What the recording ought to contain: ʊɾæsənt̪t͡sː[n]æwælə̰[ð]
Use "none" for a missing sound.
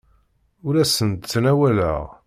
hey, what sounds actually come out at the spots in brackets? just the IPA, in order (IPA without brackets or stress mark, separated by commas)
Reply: n, ʁ